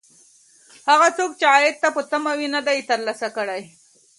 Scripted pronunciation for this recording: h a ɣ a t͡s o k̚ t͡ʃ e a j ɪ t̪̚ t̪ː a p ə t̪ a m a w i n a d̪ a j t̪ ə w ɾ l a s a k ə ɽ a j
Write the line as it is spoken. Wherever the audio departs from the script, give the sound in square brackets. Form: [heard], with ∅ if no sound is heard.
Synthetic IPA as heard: h a ɣ a t͡s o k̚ t͡ʃ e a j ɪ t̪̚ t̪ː a p ə t̪ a m a w i n a d̪ a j t̪ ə [∅] ɾ l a s a k ə ɽ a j